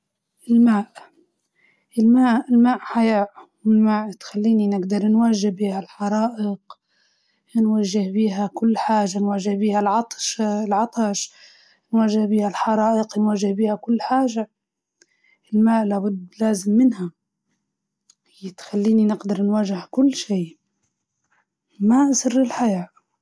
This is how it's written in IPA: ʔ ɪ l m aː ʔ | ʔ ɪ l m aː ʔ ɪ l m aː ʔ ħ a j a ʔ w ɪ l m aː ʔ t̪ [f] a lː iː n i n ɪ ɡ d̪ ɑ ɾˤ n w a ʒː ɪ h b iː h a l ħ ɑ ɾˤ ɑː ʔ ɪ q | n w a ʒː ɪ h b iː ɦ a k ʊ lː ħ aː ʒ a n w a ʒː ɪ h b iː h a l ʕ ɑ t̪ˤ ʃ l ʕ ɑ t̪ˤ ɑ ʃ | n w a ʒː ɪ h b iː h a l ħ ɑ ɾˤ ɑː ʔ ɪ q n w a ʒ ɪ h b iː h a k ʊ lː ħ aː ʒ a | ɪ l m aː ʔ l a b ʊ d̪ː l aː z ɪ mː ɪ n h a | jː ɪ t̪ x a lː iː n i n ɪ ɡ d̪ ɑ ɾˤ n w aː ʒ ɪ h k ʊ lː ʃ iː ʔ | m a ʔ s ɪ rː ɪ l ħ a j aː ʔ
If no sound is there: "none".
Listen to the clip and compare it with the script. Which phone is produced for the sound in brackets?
x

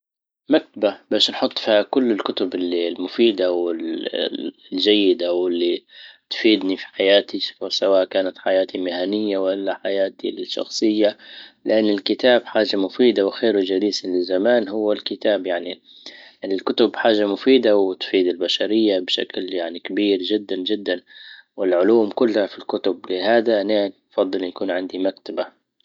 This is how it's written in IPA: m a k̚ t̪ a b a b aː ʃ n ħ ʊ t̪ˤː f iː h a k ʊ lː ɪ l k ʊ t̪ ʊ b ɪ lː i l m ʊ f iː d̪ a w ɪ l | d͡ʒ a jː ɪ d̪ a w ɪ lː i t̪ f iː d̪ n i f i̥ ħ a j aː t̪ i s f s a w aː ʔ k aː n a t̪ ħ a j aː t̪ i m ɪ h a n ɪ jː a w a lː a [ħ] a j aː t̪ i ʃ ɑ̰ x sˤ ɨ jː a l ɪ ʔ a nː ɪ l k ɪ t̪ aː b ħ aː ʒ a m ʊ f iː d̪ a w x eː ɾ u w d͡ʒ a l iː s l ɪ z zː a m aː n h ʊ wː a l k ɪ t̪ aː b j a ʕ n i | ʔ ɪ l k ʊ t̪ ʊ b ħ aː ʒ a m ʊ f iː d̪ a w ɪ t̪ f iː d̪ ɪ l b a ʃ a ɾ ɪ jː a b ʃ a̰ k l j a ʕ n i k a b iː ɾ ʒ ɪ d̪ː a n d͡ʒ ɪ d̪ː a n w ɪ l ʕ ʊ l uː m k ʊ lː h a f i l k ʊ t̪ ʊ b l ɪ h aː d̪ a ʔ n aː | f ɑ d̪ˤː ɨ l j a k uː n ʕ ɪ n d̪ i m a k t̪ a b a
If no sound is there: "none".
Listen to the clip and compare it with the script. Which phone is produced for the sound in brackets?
ħ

